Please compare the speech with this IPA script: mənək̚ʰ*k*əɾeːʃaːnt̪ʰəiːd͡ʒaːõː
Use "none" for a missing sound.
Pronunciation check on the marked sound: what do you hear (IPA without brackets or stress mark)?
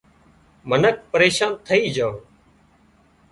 p